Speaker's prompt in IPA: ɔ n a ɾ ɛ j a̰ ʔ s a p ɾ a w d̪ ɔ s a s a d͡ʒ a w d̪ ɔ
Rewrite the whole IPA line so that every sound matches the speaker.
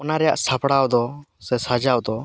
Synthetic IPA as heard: ɔ n a ɾ ɛ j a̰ ʔ s a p ɽ a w d̪ ɔ s ɛ s a d͡ʒ a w d̪ ɔ